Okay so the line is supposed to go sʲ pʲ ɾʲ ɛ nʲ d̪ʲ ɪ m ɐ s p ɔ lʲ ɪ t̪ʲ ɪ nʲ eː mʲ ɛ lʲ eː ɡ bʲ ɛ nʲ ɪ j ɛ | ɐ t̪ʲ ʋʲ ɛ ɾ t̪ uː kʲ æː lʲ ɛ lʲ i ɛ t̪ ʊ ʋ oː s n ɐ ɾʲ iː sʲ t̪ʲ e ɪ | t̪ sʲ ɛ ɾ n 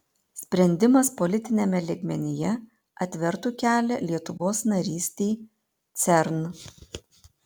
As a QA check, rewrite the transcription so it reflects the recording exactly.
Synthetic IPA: sʲ pʲ ɾʲ ɛ nʲ d̪ʲ ɪ m ɐ s p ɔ lʲ ɪ t̪ʲ ɪ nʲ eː mʲ ɛ lʲ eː ɡ mʲ ɛ nʲ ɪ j ɛ | ɐ t̪ʲ ʋʲ ɛ ɾ t̪ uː kʲ æː lʲ ɛ lʲ i ɛ t̪ ʊ ʋ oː s n ɐ ɾʲ iː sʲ t̪ʲ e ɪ | t̪ sʲ ɛ ɾ n